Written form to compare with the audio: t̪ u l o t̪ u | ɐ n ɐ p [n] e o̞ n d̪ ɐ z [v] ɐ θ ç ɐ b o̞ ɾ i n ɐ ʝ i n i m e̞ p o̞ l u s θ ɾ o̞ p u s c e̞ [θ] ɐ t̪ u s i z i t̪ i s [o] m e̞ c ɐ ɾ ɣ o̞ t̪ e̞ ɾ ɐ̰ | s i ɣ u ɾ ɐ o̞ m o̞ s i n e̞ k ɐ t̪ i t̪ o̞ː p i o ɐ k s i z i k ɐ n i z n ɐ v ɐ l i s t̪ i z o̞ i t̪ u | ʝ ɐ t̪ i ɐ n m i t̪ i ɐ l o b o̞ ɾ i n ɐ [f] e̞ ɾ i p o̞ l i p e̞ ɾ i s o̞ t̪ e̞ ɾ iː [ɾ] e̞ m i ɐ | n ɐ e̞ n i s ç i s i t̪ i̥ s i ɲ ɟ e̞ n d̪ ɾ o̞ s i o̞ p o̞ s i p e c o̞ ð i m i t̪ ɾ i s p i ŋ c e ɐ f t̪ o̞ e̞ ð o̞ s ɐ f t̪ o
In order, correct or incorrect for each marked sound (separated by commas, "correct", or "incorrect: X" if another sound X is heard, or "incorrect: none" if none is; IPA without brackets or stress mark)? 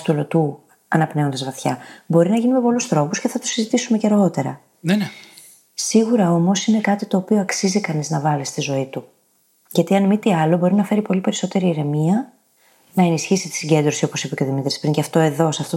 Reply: correct, correct, correct, incorrect: u, correct, correct